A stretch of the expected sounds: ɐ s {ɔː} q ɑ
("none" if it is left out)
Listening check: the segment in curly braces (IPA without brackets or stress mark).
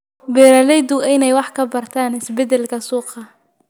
uː